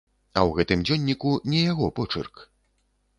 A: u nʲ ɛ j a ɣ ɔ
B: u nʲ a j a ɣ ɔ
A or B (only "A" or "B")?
A